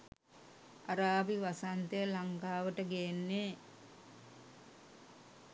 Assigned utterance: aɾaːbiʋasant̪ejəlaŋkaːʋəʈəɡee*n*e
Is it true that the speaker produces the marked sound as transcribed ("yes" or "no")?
no